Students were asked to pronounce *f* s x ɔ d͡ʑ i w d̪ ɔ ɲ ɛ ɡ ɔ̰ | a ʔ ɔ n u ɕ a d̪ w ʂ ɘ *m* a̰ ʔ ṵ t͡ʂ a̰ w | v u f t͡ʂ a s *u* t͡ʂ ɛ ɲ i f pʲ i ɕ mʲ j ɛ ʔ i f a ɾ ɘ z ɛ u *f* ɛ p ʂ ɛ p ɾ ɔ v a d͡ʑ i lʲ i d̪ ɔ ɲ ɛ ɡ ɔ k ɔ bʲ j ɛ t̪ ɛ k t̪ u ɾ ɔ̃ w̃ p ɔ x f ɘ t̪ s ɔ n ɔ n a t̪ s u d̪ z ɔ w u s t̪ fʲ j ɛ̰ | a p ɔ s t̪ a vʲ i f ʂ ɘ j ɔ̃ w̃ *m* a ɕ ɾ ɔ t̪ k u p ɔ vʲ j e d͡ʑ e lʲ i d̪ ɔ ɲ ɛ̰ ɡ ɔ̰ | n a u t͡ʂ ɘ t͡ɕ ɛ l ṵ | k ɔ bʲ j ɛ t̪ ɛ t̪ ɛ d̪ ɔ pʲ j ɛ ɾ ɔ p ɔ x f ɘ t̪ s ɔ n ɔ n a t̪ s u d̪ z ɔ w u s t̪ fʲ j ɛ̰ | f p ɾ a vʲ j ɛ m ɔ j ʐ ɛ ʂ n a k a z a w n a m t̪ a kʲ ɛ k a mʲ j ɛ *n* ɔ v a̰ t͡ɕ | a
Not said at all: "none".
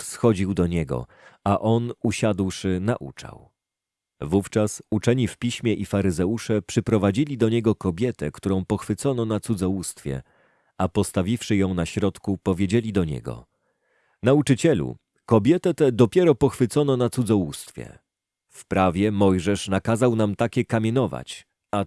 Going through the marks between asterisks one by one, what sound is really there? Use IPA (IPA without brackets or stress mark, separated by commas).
f, n, u, ʂ, n, n